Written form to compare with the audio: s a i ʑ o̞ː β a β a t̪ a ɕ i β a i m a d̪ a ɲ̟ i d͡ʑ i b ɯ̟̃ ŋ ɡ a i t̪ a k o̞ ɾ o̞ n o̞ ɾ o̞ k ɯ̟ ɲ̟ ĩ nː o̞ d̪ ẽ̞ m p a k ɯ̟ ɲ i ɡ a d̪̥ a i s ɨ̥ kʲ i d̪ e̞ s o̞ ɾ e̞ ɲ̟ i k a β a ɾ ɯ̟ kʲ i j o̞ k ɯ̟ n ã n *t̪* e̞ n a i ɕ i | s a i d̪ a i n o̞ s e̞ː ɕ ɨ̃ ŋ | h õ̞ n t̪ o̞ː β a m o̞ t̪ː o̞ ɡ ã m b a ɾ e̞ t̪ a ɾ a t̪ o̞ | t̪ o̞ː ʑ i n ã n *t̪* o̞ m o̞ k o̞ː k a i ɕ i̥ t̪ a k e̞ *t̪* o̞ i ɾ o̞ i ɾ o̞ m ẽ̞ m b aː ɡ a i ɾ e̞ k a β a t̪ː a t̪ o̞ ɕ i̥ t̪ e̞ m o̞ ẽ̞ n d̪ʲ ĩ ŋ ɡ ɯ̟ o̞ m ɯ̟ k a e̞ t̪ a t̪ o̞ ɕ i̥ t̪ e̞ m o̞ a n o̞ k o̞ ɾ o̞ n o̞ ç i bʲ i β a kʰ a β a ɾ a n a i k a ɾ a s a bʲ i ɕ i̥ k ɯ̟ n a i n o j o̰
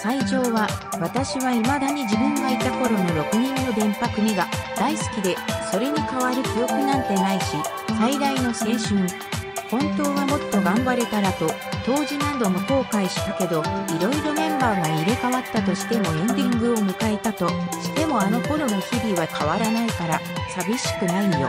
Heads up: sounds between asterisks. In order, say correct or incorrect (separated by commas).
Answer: correct, incorrect, incorrect